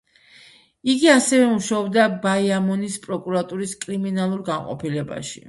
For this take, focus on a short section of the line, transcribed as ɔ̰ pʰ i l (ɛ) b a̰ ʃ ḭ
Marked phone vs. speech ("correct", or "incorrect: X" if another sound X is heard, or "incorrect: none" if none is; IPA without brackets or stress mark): correct